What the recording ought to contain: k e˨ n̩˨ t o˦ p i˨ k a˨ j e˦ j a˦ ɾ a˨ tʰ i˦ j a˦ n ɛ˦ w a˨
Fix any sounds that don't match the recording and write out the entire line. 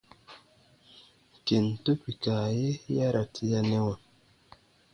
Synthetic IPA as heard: k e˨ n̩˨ t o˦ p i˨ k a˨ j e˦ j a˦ ɾ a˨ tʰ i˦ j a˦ n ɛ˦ w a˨